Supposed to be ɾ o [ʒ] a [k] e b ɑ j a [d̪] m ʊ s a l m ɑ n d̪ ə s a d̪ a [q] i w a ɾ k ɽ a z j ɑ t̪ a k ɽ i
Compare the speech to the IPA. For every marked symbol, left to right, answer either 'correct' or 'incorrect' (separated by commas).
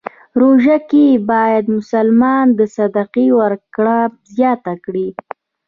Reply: correct, correct, correct, correct